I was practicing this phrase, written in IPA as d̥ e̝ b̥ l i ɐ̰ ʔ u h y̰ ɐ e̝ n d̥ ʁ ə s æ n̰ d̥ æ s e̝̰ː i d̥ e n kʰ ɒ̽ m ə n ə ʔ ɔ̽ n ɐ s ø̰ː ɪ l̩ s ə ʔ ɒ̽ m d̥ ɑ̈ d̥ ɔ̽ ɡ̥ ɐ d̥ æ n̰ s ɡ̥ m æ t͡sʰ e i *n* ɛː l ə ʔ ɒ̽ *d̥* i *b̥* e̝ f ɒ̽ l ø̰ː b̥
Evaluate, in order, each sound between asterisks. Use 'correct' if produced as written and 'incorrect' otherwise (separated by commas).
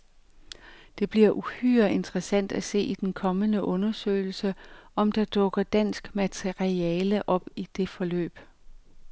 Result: incorrect, incorrect, incorrect